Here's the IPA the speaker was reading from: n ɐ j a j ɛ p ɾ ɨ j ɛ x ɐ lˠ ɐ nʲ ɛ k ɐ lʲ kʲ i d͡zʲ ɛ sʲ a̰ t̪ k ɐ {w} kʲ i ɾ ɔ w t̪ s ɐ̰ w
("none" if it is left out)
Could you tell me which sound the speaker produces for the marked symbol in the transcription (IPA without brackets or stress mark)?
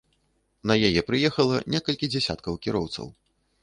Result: w